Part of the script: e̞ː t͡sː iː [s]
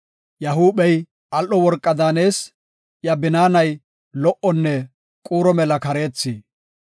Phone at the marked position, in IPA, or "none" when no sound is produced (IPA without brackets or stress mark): none